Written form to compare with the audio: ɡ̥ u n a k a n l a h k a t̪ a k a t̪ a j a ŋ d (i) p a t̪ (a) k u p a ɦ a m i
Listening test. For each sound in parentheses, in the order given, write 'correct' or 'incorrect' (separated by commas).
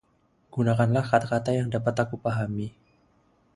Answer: incorrect, correct